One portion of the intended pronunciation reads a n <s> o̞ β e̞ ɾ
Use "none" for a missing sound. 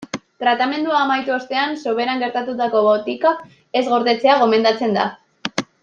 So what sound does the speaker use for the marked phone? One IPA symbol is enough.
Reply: s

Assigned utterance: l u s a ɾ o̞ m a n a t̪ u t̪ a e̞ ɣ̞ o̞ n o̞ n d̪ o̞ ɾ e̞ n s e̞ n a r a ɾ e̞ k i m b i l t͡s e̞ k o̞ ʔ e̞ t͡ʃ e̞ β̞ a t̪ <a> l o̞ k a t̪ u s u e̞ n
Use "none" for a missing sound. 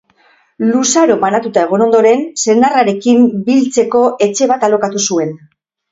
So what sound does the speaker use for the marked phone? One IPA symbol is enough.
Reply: a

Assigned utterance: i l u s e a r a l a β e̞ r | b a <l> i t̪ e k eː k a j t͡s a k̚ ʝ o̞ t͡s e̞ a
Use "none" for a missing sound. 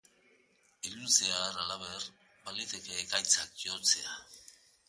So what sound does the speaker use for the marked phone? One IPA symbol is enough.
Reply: l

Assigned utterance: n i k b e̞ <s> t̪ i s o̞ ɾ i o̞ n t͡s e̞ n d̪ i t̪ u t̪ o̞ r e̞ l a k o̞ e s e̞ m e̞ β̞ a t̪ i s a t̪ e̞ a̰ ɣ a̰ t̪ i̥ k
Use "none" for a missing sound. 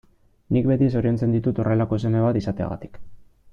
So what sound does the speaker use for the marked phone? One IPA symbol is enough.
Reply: none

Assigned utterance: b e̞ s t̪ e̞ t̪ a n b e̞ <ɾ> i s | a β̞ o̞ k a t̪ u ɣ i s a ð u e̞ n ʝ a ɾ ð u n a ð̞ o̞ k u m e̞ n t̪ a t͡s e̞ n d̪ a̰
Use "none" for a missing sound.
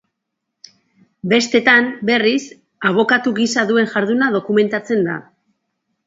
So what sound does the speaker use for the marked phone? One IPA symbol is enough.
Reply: r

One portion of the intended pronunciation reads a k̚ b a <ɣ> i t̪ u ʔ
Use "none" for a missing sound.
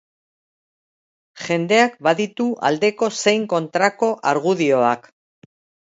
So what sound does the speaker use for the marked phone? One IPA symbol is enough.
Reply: ð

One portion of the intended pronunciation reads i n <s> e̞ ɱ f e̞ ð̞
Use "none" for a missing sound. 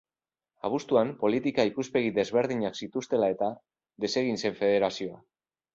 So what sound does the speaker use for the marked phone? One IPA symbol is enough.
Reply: s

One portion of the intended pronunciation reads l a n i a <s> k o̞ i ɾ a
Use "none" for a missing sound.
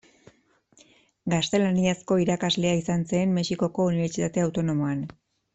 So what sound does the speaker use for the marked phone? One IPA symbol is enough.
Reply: s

